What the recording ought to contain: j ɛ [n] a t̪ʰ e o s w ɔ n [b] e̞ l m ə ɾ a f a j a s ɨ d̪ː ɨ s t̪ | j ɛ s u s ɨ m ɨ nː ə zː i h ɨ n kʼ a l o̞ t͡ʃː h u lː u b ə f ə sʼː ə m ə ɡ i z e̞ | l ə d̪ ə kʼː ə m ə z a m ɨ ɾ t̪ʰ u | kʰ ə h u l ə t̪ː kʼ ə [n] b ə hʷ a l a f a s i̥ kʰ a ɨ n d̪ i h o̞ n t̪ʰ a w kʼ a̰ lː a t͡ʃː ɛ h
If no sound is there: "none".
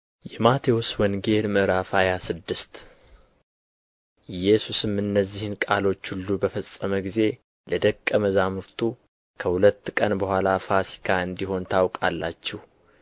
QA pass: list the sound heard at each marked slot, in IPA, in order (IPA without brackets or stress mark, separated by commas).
m, ɡ, n